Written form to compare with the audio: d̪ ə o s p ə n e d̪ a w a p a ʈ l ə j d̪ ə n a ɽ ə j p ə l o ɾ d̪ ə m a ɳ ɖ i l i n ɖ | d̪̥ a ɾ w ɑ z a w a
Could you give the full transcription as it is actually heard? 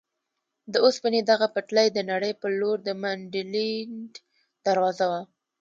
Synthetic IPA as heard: d̪ ə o s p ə n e d̪ a ɣ a p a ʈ l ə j d̪ ə n a ɽ ə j p ə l o ɾ d̪ ə m a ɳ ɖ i l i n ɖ | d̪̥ a ɾ w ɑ z a w a

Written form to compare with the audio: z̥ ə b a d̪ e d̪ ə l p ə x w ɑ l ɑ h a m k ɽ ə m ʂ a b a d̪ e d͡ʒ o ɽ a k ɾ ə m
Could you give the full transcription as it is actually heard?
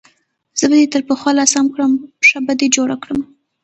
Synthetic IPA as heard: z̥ ə b a d̪ e t̪ ə ɾ p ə x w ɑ l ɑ s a m k ɽ ə m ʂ a b a d̪ e d͡ʒ o ɽ a k ɽ ə m

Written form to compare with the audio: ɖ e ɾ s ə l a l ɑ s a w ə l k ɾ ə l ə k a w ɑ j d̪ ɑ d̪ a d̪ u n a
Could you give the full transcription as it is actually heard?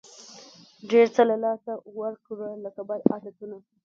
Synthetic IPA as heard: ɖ e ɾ t͡s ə l a l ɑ s a w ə ɾ k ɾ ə l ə k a b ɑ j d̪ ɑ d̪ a t̪ u n a

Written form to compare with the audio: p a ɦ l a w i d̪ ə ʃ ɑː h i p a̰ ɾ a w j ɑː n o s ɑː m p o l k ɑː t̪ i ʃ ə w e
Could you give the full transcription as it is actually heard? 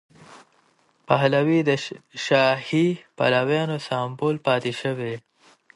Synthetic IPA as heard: p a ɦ l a w i d̪ ə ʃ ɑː h i p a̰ l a w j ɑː n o s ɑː m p o l p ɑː t̪ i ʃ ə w e

